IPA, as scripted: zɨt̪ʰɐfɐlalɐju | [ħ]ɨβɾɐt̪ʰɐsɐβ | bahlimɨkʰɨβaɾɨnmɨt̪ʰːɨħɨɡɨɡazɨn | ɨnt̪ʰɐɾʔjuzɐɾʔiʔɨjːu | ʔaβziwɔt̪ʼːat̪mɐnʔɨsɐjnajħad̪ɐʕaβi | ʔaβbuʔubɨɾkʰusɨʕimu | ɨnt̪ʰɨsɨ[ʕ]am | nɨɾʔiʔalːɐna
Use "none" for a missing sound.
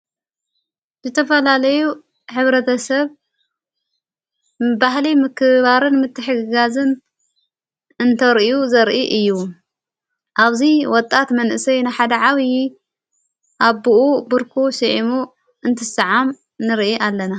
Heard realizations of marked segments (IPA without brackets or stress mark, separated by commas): ħ, ʕ